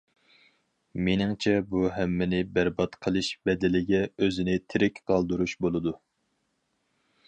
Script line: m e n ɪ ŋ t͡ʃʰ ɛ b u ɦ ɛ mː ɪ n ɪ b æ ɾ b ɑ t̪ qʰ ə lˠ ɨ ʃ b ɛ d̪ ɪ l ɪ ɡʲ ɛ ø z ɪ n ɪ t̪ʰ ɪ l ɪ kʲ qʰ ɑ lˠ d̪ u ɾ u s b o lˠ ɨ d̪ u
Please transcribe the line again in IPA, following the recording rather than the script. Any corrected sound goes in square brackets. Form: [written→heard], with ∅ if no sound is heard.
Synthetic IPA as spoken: m e n ɪ ŋ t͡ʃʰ ɛ b u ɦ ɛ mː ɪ n ɪ b æ ɾ b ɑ t̪ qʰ ə lˠ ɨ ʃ b ɛ d̪ ɪ l ɪ ɡʲ ɛ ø z ɪ n ɪ t̪ʰ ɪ [l→ɾ] ɪ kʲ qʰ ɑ lˠ d̪ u ɾ u [s→ʃ] b o lˠ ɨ d̪ u